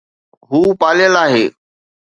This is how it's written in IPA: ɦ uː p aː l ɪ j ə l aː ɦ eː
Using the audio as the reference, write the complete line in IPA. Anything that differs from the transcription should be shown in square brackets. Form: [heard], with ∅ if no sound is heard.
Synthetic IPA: ɦ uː p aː l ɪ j ə l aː ɦ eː